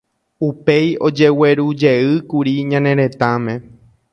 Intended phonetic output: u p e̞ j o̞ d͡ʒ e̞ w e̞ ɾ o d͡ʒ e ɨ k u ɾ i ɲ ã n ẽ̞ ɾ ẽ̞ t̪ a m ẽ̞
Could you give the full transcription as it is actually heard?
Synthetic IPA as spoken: u p e̞ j o̞ d͡ʒ e̞ w e̞ ɾ u d͡ʒ e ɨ k u ɾ i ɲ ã n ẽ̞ ɾ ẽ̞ t̪ a m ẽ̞